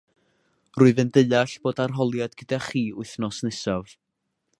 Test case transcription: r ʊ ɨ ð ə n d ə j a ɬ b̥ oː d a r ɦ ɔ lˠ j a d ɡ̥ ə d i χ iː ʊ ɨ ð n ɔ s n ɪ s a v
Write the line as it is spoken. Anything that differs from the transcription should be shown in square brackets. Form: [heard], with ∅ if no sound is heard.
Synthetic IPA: r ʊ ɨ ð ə n d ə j a ɬ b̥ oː d a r ɦ ɔ lˠ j a d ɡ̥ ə d [a] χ iː ʊ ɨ [θ] n ɔ s n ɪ s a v